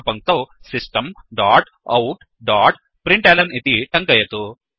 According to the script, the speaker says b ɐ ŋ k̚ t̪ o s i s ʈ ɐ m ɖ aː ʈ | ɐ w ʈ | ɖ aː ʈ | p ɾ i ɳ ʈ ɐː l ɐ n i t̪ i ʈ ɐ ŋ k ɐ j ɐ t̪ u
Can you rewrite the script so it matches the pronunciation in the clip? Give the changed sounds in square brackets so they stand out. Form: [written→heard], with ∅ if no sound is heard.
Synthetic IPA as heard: [b→p] ɐ ŋ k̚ t̪ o s i s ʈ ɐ m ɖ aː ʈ | ɐ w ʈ | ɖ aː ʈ | p ɾ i ɳ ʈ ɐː l ɐ n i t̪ i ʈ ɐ ŋ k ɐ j ɐ t̪ u